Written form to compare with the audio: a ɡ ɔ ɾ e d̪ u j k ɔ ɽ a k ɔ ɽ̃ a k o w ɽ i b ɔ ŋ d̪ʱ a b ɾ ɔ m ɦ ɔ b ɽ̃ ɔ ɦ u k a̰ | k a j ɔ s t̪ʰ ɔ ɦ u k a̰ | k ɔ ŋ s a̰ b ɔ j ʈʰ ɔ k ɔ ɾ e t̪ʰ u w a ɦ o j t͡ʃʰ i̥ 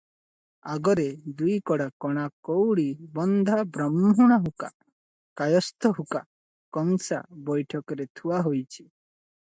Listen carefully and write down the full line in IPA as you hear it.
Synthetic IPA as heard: a ɡ ɔ ɾ e d̪ u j k ɔ ɽ a k ɔ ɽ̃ a k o w ɽ i b ɔ n d̪ʱ a b ɾ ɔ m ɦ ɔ ɽ̃ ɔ ɦ u k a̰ | k a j ɔ s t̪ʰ ɔ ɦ u k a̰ | k ɔ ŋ s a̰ b ɔ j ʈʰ ɔ k ɔ ɾ e t̪ʰ u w a ɦ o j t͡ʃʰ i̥

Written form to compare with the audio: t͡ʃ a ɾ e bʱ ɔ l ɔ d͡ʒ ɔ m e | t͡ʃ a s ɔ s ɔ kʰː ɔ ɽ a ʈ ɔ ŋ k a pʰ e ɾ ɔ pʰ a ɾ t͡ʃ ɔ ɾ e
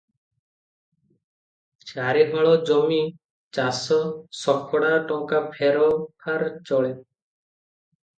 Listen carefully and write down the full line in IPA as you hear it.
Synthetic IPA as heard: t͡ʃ a ɾ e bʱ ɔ ɭ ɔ d͡ʒ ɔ m i | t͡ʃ a s ɔ s ɔ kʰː ɔ ɽ a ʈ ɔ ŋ k a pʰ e ɾ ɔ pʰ a ɾ t͡ʃ ɔ ɭ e

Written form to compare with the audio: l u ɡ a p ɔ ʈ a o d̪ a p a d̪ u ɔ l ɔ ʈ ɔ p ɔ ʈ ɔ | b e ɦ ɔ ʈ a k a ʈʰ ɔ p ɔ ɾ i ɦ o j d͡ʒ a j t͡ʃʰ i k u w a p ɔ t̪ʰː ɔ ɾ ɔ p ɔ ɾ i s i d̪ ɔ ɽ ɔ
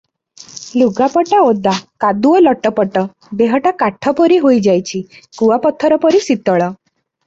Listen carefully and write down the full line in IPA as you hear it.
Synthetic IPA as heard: l u ɡ a p ɔ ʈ a o d̪ a k a d̪ u ɔ l ɔ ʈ ɔ p ɔ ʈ ɔ | b e ɦ ɔ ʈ a k a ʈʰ ɔ p ɔ ɾ i ɦ o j d͡ʒ a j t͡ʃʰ i k u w a p ɔ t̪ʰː ɔ ɾ ɔ p ɔ ɾ i s i t̪ ɔ ɭ ɔ

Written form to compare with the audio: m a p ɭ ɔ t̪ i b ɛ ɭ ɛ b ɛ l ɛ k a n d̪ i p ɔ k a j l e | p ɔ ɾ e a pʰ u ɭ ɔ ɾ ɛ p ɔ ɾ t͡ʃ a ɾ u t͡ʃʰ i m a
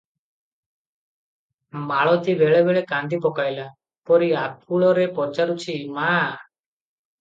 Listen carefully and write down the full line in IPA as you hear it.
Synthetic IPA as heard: m a ɭ ɔ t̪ i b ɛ ɭ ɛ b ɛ ɭ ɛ k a n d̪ i p ɔ k a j l a | p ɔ ɾ i a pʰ u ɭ ɔ ɾ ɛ p ɔ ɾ t͡ʃ a ɾ u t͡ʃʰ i m a

